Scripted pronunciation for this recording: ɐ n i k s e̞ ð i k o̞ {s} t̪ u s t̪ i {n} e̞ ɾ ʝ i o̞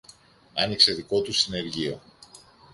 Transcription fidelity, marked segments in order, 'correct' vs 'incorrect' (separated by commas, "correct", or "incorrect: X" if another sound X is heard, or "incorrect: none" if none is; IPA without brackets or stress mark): incorrect: none, correct